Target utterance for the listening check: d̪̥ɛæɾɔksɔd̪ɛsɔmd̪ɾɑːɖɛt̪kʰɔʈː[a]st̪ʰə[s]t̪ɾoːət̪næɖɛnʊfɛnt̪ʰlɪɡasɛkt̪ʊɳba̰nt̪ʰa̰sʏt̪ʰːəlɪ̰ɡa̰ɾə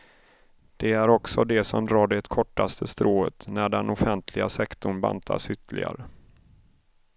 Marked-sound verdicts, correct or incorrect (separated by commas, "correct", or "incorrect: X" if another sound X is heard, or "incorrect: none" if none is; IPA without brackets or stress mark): correct, correct